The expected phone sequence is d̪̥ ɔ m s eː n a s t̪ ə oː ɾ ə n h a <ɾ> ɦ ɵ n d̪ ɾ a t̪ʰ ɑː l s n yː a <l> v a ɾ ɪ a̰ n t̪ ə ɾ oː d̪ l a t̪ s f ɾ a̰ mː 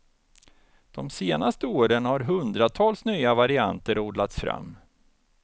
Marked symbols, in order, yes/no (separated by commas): yes, no